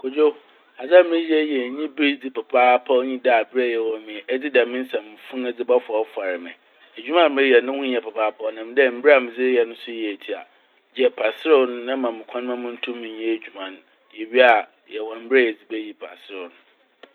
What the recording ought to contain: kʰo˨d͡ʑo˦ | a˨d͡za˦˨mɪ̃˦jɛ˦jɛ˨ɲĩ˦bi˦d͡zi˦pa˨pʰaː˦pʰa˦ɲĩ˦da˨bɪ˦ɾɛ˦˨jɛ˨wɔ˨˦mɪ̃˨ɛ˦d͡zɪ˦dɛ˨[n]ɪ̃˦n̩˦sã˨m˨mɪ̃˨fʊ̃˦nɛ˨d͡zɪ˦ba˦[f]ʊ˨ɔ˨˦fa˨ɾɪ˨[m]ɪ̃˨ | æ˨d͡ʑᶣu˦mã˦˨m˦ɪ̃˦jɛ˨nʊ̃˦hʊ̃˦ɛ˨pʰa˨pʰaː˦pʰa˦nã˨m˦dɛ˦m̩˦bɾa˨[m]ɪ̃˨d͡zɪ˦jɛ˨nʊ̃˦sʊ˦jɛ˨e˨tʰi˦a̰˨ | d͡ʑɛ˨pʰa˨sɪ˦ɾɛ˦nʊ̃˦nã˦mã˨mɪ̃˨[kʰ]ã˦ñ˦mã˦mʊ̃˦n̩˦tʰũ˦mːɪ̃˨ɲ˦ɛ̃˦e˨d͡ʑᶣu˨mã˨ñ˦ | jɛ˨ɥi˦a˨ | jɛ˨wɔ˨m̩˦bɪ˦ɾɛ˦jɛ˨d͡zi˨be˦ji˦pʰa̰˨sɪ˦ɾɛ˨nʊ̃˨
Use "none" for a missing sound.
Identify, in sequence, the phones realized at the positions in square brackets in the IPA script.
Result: m, f, m, m, kʰ

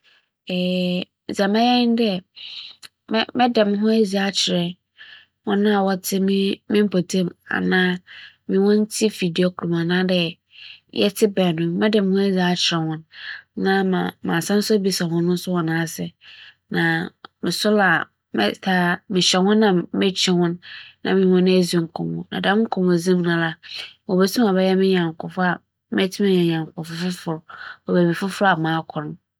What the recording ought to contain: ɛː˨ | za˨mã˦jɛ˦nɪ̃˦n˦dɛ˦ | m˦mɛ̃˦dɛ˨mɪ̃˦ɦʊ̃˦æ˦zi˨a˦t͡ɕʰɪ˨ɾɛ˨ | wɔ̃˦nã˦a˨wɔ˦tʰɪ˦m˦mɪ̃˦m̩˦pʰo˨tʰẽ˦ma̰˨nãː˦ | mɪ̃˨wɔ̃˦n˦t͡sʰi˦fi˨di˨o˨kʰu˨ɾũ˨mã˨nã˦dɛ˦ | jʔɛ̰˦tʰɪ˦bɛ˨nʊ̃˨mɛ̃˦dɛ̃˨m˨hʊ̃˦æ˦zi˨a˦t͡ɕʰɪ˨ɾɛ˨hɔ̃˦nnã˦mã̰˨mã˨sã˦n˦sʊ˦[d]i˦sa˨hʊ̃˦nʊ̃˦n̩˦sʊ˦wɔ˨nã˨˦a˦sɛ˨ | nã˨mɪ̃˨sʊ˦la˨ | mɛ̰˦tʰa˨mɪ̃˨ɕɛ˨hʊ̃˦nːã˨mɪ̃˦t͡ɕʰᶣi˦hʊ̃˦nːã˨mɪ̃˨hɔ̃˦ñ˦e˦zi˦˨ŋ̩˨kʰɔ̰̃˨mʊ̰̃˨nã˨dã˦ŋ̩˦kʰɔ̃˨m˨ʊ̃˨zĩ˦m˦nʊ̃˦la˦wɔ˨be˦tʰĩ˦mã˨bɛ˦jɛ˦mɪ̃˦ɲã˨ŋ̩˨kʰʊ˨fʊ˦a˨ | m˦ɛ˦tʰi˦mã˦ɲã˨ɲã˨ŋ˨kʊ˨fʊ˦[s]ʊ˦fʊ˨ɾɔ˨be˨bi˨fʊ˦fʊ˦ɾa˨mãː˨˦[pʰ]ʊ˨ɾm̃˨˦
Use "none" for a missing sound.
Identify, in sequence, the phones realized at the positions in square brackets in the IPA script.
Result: b, f, kʰ

